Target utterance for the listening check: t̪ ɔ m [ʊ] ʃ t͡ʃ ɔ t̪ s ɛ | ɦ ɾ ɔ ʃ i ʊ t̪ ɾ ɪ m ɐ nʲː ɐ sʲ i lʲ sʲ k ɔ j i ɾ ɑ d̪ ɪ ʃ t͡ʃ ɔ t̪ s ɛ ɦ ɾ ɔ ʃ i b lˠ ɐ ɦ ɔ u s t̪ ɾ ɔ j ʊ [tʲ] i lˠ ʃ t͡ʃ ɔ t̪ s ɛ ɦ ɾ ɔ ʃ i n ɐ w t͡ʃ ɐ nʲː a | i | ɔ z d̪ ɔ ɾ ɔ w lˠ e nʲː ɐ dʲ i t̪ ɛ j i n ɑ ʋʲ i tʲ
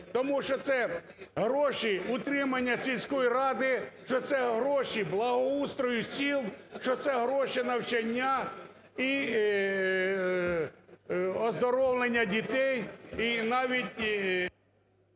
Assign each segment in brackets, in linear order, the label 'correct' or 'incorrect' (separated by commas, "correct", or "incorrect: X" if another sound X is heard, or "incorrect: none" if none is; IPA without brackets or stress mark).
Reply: incorrect: u, incorrect: sʲ